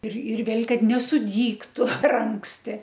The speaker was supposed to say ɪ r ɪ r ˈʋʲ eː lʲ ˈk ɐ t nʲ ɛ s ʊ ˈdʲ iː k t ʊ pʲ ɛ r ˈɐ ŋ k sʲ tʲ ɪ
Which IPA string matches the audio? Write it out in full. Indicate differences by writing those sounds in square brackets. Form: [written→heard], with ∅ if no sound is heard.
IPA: ɪ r ɪ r ˈʋʲ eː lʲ ˈk ɐ t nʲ ɛ s ʊ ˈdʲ iː k t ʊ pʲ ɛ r ˈɐ ŋ k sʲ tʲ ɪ